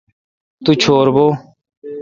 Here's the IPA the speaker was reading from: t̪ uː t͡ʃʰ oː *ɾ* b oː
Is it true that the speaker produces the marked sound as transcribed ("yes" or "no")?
yes